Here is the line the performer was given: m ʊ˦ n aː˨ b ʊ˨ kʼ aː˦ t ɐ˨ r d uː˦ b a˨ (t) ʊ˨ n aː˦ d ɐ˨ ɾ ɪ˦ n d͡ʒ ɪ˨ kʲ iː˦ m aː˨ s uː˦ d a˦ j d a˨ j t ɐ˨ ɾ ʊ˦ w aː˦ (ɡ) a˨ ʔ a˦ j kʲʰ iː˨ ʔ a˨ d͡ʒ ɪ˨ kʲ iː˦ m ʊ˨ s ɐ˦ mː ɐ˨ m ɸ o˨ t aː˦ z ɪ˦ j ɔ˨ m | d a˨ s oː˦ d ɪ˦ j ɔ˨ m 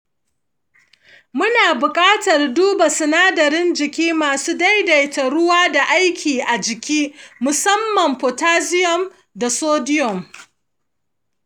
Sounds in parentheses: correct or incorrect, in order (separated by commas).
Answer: incorrect, incorrect